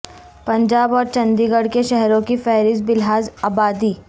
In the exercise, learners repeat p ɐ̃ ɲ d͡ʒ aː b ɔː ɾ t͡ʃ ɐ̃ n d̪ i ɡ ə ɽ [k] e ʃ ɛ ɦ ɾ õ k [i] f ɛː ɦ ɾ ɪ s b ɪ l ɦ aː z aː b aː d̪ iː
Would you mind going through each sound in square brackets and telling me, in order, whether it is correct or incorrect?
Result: correct, correct

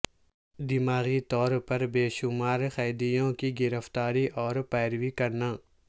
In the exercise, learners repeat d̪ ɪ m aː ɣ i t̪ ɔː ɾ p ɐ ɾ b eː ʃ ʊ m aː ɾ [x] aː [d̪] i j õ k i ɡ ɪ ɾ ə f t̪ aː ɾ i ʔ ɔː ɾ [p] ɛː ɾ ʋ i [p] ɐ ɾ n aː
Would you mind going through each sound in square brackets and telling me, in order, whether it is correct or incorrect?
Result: correct, correct, correct, incorrect

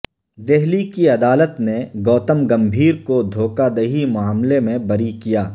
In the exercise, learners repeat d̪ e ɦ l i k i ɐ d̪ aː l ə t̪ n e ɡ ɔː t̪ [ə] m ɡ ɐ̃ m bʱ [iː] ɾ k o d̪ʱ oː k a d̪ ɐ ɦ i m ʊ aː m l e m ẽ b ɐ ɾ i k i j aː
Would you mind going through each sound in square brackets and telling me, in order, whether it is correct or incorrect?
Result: correct, correct

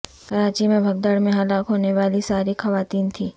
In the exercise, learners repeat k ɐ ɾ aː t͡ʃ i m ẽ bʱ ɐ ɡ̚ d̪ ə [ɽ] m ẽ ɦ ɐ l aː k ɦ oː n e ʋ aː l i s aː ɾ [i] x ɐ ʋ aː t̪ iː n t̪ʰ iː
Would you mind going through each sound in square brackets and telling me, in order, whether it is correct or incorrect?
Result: correct, correct

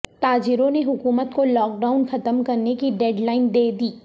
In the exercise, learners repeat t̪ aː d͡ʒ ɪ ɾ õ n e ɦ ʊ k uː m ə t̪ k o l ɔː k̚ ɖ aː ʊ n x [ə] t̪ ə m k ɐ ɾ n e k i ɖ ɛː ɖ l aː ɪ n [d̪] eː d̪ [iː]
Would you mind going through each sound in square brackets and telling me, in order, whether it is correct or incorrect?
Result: incorrect, correct, correct

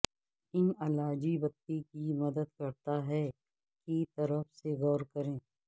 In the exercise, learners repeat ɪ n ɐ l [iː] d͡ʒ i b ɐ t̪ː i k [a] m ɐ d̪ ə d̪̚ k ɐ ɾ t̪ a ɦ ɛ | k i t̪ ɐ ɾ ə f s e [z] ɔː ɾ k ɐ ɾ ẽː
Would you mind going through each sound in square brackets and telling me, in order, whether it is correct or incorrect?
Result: incorrect, incorrect, incorrect

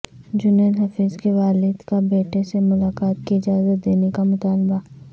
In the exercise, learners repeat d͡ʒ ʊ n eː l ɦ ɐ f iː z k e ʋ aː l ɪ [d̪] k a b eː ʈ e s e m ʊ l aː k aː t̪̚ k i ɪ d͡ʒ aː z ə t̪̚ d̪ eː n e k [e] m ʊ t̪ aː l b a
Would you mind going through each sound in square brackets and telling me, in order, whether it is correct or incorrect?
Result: correct, incorrect

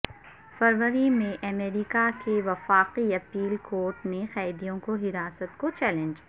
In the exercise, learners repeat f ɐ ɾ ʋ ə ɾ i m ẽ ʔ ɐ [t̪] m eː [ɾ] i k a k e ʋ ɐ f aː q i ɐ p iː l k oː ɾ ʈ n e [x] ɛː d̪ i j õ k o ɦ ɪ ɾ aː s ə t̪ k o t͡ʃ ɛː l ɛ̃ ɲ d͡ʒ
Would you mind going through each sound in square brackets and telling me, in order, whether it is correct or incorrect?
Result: incorrect, correct, correct

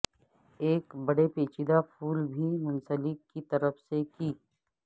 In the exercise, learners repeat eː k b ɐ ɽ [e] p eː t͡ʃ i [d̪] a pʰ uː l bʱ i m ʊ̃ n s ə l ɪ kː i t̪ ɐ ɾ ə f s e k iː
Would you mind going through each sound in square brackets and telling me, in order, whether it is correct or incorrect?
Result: correct, correct

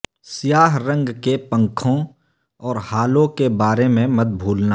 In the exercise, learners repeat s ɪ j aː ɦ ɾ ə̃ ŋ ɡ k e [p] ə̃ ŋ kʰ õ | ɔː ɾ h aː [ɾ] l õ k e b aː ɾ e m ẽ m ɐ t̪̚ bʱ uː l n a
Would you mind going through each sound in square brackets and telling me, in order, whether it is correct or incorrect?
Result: correct, incorrect

